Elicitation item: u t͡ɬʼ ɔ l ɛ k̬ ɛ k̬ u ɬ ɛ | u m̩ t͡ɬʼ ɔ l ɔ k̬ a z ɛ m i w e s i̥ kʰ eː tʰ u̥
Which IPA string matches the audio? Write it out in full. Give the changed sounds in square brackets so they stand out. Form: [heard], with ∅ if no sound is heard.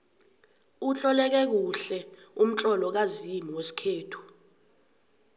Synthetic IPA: u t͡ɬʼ ɔ l ɛ k̬ ɛ k̬ u ɬ ɛ | u m̩ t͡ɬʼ ɔ l ɔ k̬ a z [i] m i w e s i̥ kʰ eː tʰ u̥